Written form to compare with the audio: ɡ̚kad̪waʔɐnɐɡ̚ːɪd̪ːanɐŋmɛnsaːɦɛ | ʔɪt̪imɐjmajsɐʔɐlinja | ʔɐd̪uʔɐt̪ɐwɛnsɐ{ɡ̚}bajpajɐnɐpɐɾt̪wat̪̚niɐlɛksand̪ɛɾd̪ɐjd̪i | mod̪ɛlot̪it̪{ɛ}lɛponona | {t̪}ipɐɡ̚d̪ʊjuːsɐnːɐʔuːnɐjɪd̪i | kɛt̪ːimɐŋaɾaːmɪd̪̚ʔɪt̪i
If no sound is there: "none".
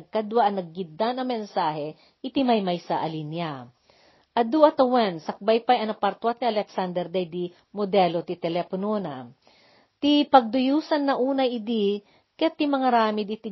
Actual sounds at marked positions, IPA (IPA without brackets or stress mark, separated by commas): k̚, ɛ, t̪